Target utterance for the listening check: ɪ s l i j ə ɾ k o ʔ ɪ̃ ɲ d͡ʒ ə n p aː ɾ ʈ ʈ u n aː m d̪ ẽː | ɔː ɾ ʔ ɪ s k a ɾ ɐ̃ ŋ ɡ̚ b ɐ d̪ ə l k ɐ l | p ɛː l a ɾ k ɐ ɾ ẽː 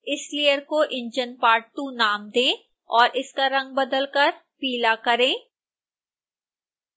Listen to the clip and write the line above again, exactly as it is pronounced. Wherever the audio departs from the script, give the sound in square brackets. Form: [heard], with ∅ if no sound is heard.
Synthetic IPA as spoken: ɪ s l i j ə ɾ k o ʔ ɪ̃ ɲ d͡ʒ ə n p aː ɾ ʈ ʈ u n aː m d̪ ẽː | ɔː ɾ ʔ ɪ s k a ɾ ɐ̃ ŋ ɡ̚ b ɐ d̪ ə l k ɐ [ɾ] | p [iː] l a [∅] k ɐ ɾ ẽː